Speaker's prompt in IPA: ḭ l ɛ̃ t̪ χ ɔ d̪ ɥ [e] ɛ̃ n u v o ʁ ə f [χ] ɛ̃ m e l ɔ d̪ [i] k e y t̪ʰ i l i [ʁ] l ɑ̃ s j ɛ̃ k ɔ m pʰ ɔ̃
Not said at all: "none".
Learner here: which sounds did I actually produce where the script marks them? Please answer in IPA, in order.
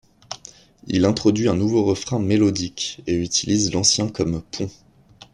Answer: i, χ, i, z

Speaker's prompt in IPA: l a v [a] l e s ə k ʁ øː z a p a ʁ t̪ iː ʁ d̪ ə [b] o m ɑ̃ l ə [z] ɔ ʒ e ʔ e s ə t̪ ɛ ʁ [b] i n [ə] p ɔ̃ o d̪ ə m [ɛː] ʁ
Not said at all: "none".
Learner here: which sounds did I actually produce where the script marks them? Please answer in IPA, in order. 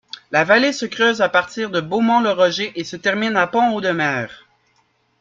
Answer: a, b, ʁ, m, a, ɛː

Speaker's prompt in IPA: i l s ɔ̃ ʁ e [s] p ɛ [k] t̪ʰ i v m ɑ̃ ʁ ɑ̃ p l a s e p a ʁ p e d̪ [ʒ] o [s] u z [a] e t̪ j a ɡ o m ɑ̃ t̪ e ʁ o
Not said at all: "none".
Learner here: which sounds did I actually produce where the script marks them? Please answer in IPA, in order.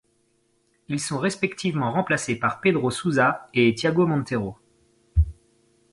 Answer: s, k, ʁ, s, a

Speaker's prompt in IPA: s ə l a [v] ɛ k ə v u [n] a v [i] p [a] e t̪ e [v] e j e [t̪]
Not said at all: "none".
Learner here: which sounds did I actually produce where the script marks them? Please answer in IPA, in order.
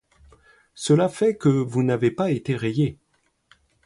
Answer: f, n, e, a, ʁ, none

